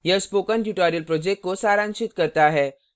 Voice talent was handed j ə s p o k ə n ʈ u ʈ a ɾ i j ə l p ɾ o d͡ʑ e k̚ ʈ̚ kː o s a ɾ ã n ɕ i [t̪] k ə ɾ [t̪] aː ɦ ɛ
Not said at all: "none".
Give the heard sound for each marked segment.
t̪, t̪

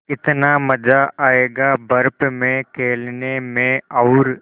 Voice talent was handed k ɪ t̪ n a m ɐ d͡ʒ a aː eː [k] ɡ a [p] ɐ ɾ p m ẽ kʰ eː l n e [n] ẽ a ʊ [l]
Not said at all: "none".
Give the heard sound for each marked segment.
none, b, m, ɾ

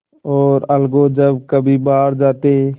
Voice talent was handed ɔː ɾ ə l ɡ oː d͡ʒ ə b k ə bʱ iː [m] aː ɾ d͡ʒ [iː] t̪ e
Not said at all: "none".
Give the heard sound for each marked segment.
b, aː

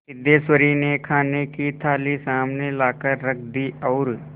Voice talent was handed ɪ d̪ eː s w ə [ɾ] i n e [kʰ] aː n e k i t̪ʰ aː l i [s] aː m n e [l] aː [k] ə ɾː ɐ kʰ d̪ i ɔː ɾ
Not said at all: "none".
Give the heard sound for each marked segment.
ɾ, kʰ, s, l, k

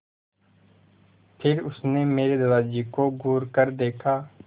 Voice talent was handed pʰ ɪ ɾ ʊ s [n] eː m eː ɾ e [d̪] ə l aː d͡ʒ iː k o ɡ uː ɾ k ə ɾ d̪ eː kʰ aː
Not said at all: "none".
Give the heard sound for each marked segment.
n, d̪

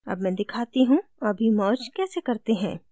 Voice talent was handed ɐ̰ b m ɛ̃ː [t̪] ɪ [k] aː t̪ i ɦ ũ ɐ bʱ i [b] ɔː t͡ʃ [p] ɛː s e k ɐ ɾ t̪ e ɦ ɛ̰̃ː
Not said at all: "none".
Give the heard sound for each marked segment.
d̪, kʰ, m, k

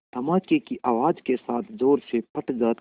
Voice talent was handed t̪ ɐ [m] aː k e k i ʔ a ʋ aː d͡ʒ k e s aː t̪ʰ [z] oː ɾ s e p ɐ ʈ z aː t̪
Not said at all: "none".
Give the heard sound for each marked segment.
m, z

